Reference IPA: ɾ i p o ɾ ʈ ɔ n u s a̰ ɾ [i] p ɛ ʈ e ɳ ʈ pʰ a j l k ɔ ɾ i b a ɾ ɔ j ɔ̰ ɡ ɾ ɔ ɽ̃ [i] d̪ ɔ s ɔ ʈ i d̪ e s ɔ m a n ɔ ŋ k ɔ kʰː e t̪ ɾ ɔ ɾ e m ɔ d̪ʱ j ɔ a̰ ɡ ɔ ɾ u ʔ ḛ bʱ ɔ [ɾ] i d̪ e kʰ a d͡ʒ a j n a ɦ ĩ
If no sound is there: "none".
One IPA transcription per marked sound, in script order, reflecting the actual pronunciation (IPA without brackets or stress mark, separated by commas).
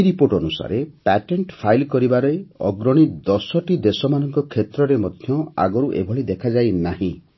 e, i, ɭ